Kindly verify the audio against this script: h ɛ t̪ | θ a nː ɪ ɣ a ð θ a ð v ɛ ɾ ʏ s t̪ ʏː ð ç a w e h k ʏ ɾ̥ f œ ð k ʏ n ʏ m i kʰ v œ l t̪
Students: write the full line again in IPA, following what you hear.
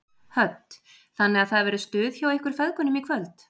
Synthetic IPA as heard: h œ t̪ | θ a nː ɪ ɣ a ð θ a ð v ɛ ɾ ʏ s t̪ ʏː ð ç a w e h k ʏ ɾ̥ f ɛ ð k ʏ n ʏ m i kʰ v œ l t̪